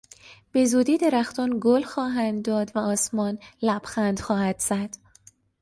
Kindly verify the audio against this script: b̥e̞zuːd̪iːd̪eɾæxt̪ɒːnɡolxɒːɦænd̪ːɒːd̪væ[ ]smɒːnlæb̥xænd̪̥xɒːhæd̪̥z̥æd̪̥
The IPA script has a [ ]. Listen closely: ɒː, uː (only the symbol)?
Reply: ɒː